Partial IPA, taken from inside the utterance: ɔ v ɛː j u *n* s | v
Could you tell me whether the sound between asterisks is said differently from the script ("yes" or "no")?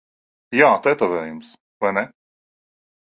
yes